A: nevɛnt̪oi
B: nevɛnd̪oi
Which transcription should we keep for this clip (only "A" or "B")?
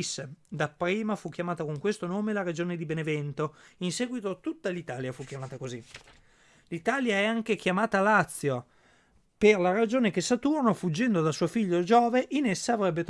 A